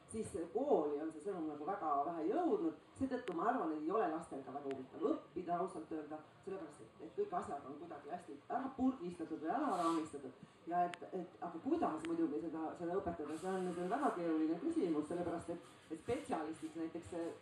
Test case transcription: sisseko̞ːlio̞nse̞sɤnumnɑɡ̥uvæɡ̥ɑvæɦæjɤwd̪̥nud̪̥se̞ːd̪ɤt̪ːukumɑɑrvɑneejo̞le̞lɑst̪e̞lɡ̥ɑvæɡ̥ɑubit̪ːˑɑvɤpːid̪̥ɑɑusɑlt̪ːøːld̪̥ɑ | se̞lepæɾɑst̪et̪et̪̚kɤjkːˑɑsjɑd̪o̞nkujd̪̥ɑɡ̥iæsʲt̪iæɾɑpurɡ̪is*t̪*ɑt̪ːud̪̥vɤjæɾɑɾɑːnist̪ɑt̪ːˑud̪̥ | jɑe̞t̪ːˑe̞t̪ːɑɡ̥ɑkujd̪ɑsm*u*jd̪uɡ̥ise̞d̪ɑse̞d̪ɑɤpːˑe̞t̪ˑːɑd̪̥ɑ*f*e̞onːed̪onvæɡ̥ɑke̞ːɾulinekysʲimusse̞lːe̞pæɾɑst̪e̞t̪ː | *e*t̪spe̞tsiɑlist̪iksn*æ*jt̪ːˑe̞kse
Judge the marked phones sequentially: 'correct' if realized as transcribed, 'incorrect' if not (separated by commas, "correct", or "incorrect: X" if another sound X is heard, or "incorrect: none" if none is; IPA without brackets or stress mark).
correct, correct, incorrect: s, correct, correct